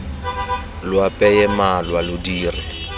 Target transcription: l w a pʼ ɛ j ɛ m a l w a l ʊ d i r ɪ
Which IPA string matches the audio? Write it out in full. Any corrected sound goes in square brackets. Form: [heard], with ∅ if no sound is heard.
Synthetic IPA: l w a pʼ ɛ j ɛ m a l w a l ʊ d [iː] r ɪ